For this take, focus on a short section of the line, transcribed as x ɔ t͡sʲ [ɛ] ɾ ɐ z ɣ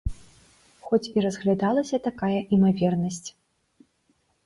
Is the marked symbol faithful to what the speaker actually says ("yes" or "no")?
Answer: no